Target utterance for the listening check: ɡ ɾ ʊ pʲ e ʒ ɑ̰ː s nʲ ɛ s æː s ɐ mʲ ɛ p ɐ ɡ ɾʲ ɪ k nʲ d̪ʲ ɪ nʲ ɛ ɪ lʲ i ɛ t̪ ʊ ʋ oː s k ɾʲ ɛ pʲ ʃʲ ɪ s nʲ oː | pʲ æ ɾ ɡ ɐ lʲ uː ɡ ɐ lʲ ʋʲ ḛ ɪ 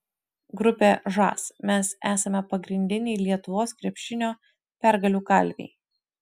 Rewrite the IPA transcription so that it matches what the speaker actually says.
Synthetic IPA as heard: ɡ ɾ ʊ pʲ e ʒ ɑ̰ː s mʲ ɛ s æː s ɐ mʲ ɛ p ɐ ɡ ɾʲ ɪ nʲ d̪ʲ ɪ nʲ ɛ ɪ lʲ i ɛ t̪ ʊ ʋ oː s k ɾʲ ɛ pʲ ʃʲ ɪ nʲ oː | pʲ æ ɾ ɡ ɐ lʲ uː k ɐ lʲ ʋʲ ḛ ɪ